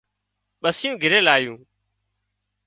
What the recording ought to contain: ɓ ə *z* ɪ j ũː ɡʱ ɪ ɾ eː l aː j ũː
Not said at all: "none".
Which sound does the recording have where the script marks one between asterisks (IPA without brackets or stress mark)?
s